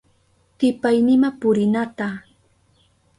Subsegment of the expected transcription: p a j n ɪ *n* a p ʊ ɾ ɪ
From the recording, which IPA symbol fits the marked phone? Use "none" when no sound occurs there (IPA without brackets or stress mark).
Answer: m